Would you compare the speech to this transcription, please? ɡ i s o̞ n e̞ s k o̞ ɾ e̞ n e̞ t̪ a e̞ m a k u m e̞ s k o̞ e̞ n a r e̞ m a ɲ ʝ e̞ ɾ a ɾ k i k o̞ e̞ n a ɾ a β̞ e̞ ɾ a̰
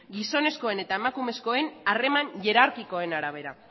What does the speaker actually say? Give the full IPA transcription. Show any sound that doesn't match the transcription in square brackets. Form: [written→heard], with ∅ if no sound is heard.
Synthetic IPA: ɡ i s o̞ n e̞ s k o̞ [ɾ→∅] e̞ n e̞ t̪ a e̞ m a k u m e̞ s k o̞ e̞ n a r e̞ m a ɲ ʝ e̞ ɾ a ɾ k i k o̞ e̞ n a ɾ a β̞ e̞ ɾ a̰